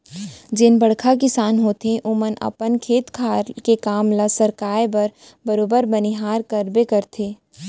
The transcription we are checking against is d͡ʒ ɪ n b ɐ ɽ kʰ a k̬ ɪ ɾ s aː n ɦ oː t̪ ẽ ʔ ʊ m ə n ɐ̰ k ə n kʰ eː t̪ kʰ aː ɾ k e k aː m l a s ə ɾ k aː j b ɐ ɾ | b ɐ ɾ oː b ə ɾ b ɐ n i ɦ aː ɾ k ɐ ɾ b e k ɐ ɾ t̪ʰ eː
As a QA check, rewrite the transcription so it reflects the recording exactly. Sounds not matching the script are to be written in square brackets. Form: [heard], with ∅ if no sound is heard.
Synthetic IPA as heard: d͡ʒ ɪ n b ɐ ɽ kʰ a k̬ ɪ [∅] s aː n ɦ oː t̪ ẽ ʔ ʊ m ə n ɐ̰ [p] ə n kʰ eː t̪ kʰ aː ɾ k e k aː m l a s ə ɾ k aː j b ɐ ɾ | b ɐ ɾ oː b ə ɾ b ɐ n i ɦ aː ɾ k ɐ ɾ b e k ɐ ɾ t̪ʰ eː